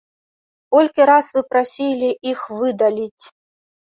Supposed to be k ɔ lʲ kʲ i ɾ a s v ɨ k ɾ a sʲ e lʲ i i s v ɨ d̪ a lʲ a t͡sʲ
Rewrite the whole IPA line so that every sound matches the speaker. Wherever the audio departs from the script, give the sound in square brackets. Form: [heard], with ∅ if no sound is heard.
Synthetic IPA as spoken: k ɔ lʲ kʲ i ɾ a s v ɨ [p] ɾ a sʲ [i] lʲ i i [x] v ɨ d̪ a lʲ [i] t͡sʲ